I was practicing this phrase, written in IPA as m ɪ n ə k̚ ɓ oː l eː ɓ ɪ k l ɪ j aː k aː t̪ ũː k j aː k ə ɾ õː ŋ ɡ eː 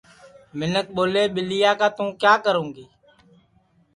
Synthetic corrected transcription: m ɪ n ə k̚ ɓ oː l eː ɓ ɪ l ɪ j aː k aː t̪ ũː k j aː k ə ɾ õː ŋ ɡ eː